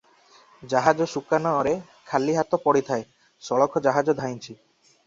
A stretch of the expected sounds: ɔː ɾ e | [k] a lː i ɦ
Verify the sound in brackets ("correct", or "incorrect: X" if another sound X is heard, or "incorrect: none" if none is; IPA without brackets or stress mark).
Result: incorrect: kʰ